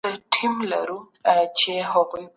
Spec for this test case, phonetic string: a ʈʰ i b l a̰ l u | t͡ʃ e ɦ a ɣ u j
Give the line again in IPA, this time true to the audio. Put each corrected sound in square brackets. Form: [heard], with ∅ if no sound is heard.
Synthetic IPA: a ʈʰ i [m] l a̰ [ɾ] u | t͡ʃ e ɦ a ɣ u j